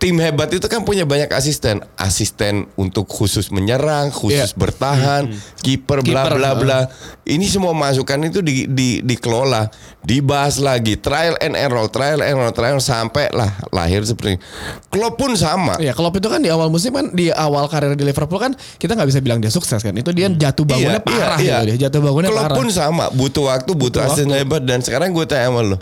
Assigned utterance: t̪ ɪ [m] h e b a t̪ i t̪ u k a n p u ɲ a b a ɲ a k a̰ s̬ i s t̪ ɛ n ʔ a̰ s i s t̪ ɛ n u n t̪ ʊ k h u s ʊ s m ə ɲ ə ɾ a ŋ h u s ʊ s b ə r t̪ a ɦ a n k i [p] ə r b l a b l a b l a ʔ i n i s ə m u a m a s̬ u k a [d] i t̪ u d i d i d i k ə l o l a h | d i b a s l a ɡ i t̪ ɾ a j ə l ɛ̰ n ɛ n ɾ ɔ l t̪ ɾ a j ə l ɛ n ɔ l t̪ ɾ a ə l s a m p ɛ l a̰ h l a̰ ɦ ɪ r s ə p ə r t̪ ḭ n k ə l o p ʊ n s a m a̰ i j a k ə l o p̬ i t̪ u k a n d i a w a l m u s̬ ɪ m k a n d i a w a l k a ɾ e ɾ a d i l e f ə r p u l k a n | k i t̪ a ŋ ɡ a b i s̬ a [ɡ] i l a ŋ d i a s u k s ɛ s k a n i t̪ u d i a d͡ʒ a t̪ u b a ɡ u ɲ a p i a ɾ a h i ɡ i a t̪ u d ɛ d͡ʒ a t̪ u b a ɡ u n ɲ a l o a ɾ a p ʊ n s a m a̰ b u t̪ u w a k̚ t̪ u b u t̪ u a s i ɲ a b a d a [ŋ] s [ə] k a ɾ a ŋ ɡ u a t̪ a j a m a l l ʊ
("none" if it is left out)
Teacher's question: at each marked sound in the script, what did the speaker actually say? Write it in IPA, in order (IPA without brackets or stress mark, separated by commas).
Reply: m, p, n, b, n, ə